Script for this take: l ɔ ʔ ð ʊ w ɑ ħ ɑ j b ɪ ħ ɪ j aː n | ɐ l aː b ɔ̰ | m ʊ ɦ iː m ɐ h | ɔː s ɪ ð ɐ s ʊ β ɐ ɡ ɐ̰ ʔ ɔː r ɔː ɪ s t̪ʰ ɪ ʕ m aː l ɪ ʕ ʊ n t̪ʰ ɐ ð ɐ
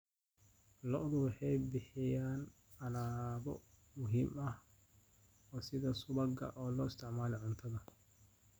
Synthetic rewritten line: l ɔ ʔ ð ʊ w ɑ ħ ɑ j b ɪ ħ ɪ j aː n | ɐ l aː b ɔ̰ | m ʊ ɦ iː m ɐ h | ɔː s ɪ ð ɐ s ʊ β ɐ ɡ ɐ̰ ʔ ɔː l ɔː ɪ s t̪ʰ ɪ ʕ m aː l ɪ ʕ ʊ n t̪ʰ ɐ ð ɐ